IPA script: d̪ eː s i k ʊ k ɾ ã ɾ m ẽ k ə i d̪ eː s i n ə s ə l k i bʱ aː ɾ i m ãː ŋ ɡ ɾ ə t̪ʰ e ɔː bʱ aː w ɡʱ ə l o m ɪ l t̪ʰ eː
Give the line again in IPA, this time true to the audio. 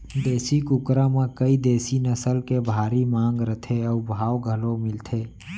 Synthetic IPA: d̪ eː s i k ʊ k ɾ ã m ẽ k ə i d̪ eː s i n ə s ə l k e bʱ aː ɾ i m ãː ŋ ɡ ɾ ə t̪ʰ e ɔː bʱ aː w ɡʱ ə l o m ɪ l t̪ʰ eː